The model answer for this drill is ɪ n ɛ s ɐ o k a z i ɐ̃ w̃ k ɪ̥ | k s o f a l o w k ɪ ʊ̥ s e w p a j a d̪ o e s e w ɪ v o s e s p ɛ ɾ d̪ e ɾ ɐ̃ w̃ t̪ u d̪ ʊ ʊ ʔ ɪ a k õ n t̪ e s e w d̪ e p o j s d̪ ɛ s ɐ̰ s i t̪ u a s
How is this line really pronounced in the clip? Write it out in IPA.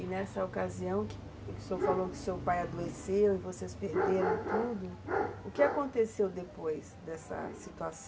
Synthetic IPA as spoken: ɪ n ɛ s ɐ o k a z i ɐ̃ w̃ k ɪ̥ | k s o f a l o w k ɪ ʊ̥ s e w p a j a d̪ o e s e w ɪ v o s e s p e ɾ d̪ e ɾ ɐ̃ w̃ t̪ u d̪ ʊ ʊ k ɪ a k õ n t̪ e s e w d̪ e p o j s d̪ ɛ s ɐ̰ s i t̪ u a s